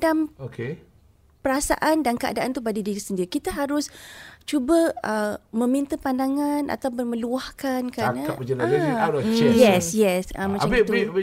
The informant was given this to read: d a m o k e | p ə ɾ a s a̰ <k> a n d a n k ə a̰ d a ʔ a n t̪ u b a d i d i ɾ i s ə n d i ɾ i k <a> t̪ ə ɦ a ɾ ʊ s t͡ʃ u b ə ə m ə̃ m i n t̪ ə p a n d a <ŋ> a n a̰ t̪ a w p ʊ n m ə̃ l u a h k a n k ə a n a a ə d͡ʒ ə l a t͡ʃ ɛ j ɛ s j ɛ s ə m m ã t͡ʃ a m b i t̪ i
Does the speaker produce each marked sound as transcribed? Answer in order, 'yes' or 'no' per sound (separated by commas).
no, no, yes